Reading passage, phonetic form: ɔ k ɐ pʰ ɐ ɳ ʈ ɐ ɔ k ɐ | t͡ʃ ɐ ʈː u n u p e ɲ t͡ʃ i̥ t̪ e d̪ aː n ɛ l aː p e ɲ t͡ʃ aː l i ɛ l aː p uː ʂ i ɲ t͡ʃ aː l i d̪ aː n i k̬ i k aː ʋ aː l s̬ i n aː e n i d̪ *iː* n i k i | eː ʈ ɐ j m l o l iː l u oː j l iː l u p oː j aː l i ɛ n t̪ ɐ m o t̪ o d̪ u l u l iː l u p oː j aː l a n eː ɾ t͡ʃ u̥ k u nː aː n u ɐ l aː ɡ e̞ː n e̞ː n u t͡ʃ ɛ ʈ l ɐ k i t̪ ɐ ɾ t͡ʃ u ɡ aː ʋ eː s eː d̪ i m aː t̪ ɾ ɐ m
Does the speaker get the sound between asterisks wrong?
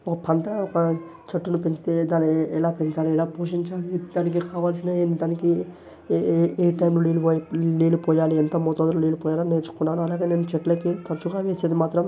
yes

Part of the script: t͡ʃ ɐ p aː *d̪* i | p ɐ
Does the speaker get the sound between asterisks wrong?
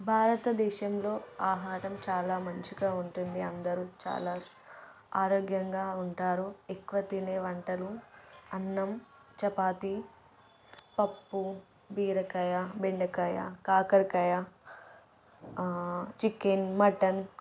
yes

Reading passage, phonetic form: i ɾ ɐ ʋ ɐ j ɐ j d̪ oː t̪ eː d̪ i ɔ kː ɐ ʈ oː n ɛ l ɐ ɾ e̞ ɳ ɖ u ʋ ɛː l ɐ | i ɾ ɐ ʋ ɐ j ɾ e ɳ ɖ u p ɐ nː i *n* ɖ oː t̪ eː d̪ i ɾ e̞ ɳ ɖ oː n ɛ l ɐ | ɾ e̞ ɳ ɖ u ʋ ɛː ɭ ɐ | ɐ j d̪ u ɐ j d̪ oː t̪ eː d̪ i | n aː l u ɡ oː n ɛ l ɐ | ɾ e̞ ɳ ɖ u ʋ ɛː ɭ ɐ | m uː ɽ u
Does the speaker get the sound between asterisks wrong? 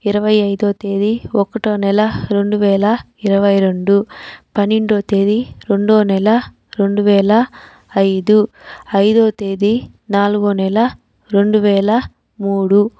yes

